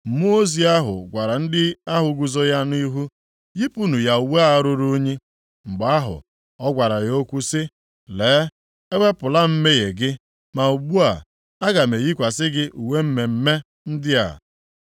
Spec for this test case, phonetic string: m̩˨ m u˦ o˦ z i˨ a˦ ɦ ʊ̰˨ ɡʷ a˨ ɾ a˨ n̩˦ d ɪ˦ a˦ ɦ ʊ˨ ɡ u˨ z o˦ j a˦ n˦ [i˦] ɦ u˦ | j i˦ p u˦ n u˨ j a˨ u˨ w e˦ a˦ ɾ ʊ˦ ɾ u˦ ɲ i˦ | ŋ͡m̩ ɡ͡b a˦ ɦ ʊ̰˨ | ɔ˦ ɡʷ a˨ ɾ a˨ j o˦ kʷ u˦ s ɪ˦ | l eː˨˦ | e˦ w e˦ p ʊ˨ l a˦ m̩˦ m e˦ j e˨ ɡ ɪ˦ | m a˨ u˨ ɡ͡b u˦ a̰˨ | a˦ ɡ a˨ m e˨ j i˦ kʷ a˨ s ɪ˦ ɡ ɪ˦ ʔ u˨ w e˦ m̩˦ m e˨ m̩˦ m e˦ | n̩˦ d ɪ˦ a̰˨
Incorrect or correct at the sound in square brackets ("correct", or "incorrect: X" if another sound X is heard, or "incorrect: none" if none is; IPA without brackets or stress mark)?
correct